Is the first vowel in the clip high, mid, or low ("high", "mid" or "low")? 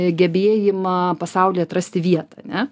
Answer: mid